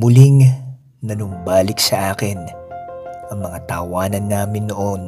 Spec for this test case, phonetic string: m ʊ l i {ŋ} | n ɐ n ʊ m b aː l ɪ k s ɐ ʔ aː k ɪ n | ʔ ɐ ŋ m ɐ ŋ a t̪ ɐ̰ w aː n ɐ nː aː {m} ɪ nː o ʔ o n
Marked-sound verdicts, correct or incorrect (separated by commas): correct, correct